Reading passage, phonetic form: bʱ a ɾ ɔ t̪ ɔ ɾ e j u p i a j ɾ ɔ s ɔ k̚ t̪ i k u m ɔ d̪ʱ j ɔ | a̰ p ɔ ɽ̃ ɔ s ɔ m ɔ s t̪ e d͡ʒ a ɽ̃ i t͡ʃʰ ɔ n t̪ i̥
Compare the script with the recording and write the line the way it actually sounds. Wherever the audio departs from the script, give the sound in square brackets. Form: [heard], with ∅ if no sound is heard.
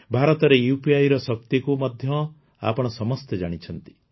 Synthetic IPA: bʱ a ɾ ɔ t̪ ɔ ɾ e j u p i a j ɾ ɔ s ɔ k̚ t̪ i k u m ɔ d̪ʱ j ɔ | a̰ p ɔ ɽ̃ ɔ s ɔ m ɔ s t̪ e d͡ʒ a ɽ̃ i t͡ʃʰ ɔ n t̪ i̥